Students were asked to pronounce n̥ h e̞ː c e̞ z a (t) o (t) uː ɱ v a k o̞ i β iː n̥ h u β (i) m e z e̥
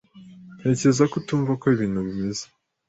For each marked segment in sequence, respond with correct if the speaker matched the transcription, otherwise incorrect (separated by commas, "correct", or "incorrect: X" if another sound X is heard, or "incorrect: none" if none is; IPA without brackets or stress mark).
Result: incorrect: k, correct, correct